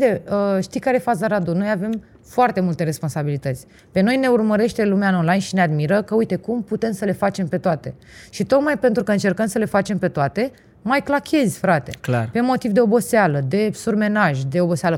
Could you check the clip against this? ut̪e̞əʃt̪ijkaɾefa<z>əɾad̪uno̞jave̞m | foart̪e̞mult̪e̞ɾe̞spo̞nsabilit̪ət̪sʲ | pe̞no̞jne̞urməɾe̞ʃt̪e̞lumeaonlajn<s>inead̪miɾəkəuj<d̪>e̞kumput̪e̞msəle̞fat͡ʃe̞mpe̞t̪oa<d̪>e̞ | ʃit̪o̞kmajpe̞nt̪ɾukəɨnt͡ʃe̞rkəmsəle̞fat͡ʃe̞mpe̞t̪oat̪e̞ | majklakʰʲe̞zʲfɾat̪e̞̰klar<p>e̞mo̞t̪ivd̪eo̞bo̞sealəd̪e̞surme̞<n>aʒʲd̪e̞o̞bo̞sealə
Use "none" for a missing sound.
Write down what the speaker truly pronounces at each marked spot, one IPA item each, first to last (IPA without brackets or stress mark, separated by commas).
z, ʃ, t̪, t̪, p, n